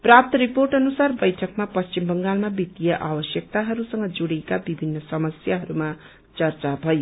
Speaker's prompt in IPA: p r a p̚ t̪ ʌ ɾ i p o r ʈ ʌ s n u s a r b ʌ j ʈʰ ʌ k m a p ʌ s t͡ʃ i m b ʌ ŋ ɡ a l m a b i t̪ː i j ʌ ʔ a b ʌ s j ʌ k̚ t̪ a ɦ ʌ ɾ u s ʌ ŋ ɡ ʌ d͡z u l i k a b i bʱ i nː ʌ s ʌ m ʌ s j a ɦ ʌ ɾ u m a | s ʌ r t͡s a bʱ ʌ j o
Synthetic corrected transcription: p r a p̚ t̪ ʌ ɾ i p o r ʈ ʌ n u s a r b ʌ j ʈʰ ʌ k m a p ʌ s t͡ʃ i m b ʌ ŋ ɡ a l m a b i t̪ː i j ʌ ʔ a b ʌ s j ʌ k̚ t̪ a ɦ ʌ ɾ u s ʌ ŋ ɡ ʌ d͡z u ɽ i k a b i bʱ i nː ʌ s ʌ m ʌ s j a ɦ ʌ ɾ u m a | t͡s ʌ r t͡s a bʱ ʌ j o